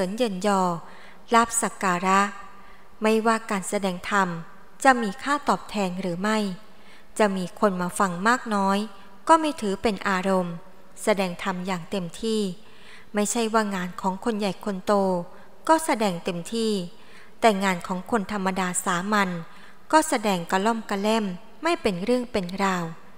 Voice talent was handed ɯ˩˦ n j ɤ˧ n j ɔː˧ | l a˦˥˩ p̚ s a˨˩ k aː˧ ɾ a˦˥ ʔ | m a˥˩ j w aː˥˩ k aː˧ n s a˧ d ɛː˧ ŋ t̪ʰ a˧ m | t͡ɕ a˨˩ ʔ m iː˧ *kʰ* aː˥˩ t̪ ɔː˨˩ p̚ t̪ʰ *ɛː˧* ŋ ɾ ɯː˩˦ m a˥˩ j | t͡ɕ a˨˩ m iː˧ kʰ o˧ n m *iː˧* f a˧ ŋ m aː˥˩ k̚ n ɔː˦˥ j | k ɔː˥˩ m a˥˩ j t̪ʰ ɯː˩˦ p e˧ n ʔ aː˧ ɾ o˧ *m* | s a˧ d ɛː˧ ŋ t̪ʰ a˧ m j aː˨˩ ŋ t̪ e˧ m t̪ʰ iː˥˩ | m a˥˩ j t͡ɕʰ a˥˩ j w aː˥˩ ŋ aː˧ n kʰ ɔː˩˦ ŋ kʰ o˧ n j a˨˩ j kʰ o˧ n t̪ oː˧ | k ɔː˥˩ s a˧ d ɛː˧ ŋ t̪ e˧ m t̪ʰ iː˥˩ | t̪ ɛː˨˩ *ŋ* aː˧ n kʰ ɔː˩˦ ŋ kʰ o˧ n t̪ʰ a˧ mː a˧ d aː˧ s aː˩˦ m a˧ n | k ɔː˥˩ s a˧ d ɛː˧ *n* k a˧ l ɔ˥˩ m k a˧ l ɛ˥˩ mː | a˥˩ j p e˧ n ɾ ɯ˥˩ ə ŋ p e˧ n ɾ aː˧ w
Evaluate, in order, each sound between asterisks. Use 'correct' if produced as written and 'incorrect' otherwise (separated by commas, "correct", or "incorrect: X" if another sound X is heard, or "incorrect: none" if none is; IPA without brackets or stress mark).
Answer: correct, correct, incorrect: aː˧, correct, correct, incorrect: ŋ